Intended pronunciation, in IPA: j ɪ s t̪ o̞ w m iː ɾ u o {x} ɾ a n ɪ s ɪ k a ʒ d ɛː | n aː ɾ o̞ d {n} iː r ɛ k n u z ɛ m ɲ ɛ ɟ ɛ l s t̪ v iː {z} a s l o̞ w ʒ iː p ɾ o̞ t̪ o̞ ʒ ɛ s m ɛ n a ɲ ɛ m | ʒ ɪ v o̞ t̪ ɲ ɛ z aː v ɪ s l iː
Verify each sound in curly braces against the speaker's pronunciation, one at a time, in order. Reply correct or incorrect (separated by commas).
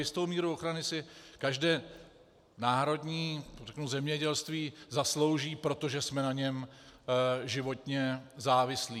correct, incorrect, correct